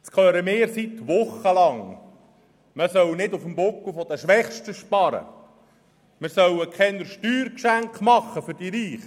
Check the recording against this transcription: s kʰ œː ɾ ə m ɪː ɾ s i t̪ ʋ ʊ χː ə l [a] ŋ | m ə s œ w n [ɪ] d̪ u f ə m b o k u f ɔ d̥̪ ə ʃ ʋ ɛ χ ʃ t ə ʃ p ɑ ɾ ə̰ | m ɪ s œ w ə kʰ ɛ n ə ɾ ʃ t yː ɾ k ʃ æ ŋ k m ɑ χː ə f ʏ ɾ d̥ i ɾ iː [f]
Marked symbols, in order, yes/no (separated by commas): no, yes, no